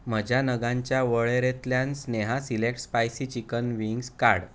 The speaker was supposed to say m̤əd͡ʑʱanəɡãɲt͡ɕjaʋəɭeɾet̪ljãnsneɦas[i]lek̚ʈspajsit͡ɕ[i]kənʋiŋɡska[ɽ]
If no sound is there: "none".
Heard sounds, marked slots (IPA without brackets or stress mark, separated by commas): i, i, ɽ